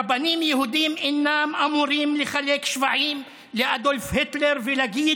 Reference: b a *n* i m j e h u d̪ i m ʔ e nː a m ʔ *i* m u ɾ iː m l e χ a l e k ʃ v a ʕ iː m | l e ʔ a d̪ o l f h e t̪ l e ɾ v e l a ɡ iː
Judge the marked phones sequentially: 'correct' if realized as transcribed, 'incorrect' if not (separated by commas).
correct, incorrect